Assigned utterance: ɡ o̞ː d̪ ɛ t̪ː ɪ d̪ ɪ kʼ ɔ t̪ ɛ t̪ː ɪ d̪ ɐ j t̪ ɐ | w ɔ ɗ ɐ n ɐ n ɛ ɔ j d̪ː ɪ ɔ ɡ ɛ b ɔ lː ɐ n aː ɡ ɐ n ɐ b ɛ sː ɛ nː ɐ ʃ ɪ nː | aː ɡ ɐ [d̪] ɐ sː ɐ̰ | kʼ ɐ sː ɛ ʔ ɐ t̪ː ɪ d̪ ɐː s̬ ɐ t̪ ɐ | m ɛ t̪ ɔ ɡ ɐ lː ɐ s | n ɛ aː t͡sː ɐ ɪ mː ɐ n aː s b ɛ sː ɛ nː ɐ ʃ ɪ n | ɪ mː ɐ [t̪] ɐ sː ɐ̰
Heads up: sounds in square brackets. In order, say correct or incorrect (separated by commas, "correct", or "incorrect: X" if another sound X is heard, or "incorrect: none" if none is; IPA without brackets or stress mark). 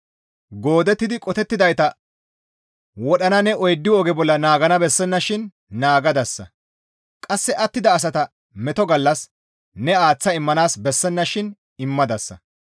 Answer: correct, incorrect: d̪